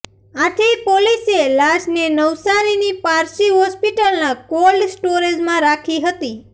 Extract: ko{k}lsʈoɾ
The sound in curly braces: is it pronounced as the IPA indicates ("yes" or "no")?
no